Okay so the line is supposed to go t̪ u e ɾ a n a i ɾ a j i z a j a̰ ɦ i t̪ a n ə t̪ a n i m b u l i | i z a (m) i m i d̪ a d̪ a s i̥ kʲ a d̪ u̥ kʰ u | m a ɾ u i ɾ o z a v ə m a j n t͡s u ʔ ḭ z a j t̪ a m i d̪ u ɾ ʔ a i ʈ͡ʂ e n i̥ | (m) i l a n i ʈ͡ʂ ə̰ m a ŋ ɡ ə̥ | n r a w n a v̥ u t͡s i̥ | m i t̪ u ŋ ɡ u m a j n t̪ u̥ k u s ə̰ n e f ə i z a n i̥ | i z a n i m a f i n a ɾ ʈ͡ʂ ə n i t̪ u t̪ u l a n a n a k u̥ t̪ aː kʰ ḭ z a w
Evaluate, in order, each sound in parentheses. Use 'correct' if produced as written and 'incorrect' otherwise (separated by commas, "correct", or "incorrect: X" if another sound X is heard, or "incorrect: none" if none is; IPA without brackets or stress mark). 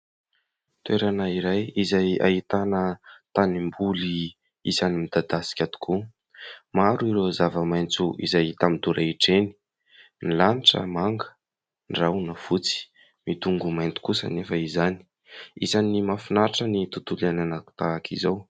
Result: incorrect: n, incorrect: n